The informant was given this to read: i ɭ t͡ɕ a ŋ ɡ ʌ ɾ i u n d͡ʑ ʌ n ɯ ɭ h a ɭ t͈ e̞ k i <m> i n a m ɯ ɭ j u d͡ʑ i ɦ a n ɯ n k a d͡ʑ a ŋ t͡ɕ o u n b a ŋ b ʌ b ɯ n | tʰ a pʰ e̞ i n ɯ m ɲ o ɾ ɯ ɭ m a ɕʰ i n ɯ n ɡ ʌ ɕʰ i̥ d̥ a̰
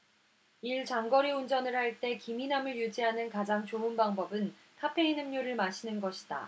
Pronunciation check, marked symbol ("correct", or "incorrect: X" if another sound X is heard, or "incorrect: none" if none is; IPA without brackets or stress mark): correct